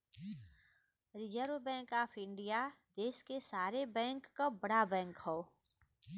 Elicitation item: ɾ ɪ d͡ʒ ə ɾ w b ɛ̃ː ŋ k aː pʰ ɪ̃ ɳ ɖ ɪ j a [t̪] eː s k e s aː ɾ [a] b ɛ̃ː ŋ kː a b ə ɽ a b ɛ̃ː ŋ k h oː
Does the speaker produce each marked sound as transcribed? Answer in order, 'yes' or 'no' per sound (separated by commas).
no, no